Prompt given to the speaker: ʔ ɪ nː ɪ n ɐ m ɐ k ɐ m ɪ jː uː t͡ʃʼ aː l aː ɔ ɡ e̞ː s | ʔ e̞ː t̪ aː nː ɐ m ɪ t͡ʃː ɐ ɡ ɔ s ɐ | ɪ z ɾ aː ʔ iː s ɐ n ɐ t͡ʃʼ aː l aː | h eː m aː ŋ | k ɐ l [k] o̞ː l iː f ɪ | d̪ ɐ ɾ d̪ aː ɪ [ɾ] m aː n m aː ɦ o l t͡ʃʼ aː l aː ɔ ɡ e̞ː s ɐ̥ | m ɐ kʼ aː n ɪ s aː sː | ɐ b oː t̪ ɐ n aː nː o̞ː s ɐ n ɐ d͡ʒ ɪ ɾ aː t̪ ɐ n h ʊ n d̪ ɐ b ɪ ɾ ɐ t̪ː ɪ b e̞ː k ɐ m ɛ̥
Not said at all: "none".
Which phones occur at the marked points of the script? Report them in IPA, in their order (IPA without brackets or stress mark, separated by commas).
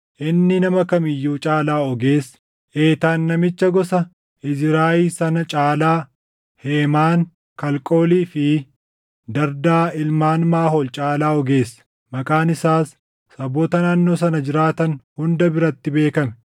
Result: kʼ, l